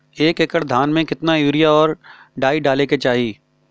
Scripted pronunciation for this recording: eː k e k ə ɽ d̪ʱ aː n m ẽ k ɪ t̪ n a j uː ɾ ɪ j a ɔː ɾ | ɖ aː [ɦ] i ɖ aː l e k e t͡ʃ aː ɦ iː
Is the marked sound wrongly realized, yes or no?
yes